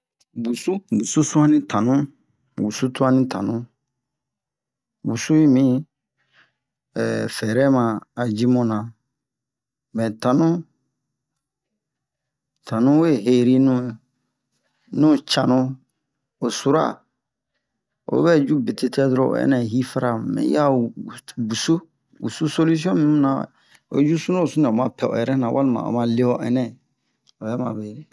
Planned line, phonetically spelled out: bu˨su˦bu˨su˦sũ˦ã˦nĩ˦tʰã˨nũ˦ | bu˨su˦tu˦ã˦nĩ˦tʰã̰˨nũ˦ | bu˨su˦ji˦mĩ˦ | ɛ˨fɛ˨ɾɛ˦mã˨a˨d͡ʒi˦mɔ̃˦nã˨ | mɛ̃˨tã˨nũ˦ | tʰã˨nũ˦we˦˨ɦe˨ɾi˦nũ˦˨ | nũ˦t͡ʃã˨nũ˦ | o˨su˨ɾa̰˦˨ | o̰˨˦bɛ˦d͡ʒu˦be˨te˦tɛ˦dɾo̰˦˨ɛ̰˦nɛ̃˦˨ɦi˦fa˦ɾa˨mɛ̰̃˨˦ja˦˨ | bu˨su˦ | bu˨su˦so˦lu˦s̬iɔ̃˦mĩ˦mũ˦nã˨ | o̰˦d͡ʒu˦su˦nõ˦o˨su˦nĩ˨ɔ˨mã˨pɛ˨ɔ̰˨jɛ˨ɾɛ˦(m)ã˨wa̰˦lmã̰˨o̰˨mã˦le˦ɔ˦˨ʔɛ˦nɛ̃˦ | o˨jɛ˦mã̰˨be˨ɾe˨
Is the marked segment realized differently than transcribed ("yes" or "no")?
yes